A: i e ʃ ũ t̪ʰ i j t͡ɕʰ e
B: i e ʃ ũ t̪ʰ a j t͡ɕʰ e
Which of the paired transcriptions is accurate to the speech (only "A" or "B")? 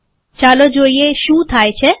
B